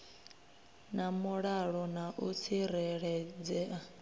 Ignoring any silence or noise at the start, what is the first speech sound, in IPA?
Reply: n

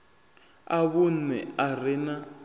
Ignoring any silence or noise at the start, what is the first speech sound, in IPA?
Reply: a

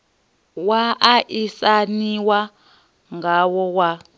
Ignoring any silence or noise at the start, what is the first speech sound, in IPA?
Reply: w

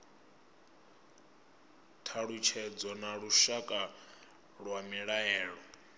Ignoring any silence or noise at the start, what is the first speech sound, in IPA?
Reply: tʰ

